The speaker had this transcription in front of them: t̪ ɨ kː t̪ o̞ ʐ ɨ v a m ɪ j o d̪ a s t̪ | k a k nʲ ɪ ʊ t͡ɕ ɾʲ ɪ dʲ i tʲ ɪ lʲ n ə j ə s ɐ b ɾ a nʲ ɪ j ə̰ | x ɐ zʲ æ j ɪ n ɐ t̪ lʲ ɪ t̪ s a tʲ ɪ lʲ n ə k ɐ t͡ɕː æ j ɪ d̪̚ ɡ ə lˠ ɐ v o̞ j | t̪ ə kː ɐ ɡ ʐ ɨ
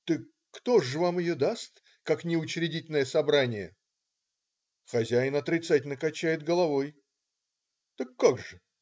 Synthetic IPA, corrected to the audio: t̪ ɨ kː t̪ o̞ ʐ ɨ v a m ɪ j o d̪ a s t̪ | k a k nʲ ɪ ʊ t͡ɕ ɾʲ ɪ dʲ i tʲ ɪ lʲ n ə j ə s ɐ b ɾ a nʲ ɪ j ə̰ | x ɐ zʲ æ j ɪ n ɐ t̪ ɾʲ ɪ t̪ s a tʲ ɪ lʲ n ə k ɐ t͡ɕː æ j ɪ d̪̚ ɡ ə lˠ ɐ v o̞ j | t̪ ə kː a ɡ ʐ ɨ